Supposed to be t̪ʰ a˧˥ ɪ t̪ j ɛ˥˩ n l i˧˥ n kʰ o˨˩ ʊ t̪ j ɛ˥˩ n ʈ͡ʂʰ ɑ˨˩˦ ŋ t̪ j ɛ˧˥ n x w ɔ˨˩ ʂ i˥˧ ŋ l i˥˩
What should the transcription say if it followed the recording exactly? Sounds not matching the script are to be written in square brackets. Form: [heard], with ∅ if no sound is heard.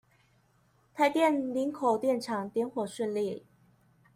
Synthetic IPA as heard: t̪ʰ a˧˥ ɪ t̪ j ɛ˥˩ n l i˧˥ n kʰ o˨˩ ʊ t̪ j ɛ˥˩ n ʈ͡ʂʰ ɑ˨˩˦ ŋ t̪ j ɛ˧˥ n x w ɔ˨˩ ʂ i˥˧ [n] l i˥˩